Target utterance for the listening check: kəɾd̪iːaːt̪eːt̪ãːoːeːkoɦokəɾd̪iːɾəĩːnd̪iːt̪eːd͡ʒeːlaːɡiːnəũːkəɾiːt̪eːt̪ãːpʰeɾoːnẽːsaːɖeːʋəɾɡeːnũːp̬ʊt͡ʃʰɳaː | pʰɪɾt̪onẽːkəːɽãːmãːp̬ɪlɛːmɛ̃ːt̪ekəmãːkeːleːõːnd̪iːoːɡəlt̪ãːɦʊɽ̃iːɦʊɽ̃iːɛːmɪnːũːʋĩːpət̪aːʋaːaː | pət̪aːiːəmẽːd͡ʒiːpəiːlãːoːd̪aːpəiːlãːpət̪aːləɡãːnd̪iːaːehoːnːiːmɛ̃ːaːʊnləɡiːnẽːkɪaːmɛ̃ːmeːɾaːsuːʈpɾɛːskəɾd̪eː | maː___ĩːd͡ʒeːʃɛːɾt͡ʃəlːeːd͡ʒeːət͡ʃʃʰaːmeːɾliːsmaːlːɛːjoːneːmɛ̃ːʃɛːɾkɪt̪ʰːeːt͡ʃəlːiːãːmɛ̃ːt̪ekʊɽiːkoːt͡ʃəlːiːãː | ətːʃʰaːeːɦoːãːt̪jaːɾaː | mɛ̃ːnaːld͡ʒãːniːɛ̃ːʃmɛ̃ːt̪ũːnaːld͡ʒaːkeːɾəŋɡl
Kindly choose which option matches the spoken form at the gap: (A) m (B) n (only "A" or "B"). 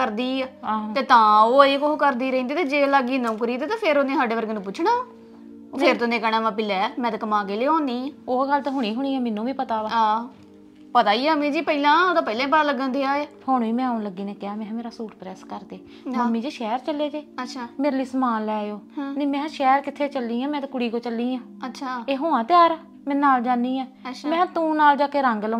A